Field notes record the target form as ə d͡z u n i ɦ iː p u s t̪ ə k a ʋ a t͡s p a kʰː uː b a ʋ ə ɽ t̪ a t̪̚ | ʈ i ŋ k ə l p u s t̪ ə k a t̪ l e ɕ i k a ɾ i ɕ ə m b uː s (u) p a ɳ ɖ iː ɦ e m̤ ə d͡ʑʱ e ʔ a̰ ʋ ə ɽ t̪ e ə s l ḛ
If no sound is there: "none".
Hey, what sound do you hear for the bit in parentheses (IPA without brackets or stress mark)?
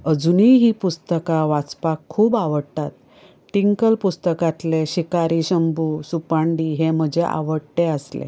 u